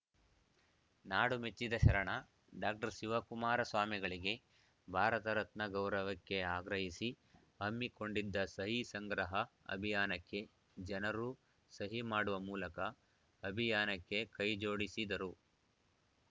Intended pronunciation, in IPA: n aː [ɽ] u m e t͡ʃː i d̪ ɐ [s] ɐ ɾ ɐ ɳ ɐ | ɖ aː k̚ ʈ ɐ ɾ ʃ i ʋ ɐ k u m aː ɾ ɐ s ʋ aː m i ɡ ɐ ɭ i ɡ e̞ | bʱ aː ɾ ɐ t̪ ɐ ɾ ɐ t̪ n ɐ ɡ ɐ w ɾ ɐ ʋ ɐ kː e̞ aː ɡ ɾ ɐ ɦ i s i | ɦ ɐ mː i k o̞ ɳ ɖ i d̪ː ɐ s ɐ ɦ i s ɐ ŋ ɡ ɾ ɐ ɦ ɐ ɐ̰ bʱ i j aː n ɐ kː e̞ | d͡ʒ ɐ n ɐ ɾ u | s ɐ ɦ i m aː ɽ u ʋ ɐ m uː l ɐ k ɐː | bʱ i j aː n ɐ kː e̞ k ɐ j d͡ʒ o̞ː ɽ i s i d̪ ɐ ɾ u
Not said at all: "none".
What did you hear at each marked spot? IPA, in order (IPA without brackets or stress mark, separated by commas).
ɽ, ʃ